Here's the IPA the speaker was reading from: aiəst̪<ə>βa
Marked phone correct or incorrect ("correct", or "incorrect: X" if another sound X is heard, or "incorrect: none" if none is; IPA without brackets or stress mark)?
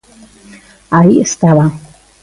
incorrect: a